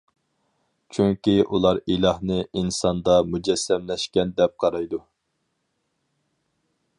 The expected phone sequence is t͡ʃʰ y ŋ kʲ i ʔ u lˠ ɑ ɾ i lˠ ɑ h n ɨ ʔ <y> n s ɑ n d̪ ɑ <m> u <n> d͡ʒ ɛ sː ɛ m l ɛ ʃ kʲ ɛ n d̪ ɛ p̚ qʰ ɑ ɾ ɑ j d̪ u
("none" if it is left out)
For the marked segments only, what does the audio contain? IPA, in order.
i, m, none

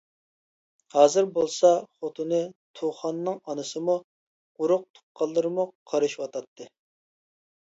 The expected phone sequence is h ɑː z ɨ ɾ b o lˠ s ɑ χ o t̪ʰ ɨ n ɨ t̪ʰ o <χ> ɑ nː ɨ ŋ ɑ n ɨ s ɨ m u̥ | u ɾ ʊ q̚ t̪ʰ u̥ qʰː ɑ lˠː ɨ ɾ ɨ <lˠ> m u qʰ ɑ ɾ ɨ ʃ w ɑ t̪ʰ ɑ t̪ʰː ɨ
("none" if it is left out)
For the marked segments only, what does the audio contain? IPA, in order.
χ, none

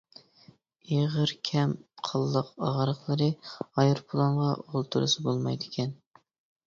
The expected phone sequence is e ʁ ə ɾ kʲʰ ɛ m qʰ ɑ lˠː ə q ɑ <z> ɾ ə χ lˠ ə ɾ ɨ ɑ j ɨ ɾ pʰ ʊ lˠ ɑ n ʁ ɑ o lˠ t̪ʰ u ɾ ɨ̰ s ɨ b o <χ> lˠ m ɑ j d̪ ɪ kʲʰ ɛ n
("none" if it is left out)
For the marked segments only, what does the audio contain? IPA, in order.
ʁ, none

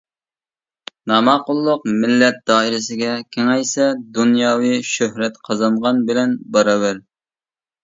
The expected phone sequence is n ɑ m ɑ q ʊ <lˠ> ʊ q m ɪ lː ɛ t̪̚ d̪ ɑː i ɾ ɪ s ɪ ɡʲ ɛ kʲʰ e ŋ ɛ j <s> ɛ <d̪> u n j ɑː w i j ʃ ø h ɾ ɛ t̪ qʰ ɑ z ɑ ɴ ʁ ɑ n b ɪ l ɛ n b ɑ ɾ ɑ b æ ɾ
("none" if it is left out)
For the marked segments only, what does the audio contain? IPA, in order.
lˠː, s, d̪

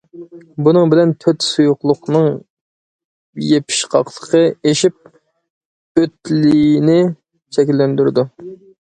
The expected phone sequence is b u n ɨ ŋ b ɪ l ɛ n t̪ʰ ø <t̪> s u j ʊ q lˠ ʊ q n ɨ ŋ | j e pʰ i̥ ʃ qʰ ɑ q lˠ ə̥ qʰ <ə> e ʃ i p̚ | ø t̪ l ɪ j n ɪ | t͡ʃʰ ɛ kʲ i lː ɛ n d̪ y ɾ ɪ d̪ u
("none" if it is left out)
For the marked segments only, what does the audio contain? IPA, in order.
t̪, ə

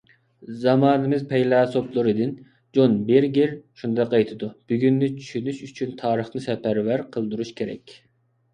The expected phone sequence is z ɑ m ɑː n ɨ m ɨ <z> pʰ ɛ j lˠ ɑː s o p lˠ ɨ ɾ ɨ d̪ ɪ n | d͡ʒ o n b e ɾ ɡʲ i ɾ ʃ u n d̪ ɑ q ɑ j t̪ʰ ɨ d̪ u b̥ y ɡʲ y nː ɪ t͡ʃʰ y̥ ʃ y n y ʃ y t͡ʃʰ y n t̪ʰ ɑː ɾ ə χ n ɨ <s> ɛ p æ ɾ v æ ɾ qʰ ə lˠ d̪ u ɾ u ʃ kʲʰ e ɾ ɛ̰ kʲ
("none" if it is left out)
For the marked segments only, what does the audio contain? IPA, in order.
z, s

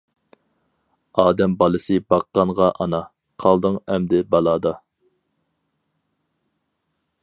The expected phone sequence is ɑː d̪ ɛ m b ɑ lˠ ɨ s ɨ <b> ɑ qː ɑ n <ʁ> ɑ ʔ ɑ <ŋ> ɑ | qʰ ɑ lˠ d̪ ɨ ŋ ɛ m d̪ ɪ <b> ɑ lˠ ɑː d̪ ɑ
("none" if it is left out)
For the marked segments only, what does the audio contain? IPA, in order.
b, ʁ, n, b

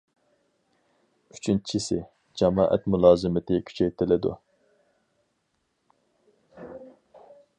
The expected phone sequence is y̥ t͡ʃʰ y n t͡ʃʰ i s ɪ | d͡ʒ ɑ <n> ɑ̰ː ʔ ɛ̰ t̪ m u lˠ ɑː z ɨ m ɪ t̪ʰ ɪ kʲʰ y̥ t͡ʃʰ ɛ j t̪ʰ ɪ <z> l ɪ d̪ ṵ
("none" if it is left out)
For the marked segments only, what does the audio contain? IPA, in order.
m, none

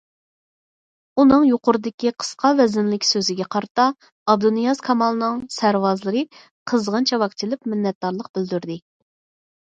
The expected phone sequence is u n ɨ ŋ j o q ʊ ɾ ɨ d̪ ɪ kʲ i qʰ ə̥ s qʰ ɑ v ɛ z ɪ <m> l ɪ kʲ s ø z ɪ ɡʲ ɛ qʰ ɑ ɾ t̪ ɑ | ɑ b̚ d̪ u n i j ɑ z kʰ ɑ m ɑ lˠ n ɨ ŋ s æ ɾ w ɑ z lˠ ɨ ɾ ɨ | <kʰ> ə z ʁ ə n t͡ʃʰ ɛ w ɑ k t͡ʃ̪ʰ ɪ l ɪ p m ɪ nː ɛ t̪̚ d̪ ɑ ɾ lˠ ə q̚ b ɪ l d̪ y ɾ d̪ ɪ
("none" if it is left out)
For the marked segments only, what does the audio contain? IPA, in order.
n, qʰ

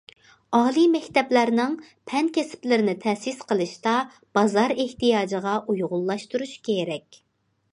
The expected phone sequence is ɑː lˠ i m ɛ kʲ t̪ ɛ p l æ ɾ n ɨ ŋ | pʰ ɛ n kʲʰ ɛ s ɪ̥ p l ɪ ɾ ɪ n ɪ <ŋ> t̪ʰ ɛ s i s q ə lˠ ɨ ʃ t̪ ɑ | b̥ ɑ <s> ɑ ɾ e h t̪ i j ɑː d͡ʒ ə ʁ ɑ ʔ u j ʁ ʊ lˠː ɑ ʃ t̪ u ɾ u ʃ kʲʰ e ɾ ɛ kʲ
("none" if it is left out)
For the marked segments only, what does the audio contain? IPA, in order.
none, z

